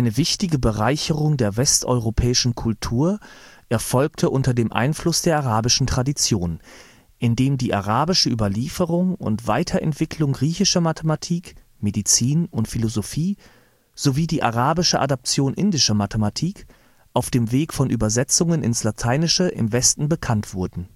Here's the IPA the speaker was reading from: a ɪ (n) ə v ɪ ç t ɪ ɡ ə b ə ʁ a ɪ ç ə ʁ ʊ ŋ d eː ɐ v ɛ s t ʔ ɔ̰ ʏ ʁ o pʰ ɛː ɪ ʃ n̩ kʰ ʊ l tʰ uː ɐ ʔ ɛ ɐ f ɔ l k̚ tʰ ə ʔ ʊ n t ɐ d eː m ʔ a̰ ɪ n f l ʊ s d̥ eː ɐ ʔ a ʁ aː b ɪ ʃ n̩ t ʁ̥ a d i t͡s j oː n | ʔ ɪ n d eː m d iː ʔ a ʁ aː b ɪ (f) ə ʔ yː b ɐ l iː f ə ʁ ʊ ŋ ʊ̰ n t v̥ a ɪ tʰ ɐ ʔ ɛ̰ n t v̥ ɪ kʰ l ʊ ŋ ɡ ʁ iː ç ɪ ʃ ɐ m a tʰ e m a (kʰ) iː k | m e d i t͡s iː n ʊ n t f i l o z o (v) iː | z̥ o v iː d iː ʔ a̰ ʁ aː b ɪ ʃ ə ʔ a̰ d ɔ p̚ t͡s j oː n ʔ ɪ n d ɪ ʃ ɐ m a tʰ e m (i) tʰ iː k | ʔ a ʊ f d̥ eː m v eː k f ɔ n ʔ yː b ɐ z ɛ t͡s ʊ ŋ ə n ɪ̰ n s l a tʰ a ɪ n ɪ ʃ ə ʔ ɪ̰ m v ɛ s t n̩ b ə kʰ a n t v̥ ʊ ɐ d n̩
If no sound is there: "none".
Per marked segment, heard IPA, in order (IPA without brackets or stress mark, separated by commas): n, ʃ, tʰ, f, a